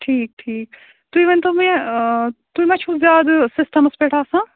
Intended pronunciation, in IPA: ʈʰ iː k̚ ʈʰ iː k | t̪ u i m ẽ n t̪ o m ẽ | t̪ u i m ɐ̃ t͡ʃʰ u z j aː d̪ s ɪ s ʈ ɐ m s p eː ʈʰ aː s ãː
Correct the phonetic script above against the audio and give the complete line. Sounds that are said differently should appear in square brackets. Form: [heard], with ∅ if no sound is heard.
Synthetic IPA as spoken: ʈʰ iː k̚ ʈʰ iː k | t̪ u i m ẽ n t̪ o m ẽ | t̪ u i m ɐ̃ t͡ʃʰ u z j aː d̪ s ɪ s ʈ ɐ m s p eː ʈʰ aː s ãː